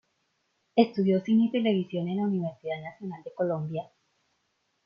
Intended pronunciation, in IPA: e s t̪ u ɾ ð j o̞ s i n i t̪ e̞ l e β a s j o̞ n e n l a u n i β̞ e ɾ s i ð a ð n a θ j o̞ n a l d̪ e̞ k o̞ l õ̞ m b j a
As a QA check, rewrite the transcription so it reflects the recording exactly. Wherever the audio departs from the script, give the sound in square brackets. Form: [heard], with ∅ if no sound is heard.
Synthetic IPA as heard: e s t̪ u [∅] ð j o̞ s i n i t̪ e̞ l e β [i] s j o̞ n e n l a u n i β̞ e ɾ s i ð a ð n a [s] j o̞ n a l d̪ e̞ k o̞ l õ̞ m b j a